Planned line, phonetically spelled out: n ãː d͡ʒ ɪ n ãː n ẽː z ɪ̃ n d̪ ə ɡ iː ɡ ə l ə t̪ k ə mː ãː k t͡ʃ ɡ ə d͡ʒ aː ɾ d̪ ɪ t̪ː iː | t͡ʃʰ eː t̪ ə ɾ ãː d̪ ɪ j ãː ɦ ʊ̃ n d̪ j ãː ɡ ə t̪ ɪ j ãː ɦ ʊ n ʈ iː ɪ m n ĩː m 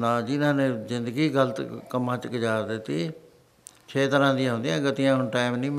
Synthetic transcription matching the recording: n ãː d͡ʒ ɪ n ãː n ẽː z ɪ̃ n d̪ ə ɡ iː ɡ ə l ə t̪ k ə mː ãː t͡ʃ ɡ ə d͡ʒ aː ɾ d̪ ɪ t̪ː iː | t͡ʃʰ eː t̪ ə ɾ ãː d̪ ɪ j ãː ɦ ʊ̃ n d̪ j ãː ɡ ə t̪ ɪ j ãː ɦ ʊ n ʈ aː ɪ m n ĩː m